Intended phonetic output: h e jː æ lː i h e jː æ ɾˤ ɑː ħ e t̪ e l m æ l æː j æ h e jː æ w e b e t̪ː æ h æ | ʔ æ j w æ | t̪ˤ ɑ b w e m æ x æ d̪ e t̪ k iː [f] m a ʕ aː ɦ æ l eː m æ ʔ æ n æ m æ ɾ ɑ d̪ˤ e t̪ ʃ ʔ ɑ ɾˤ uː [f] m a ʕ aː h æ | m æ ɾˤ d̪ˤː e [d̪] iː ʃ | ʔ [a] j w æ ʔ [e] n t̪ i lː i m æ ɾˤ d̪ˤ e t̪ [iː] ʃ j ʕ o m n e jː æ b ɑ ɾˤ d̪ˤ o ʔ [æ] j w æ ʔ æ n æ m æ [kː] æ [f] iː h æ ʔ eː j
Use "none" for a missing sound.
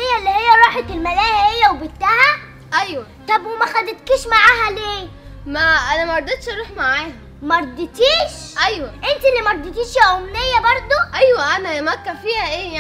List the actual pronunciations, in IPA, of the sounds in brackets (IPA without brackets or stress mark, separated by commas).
ʃ, ħ, t̪, æ, e, iː, æ, kː, f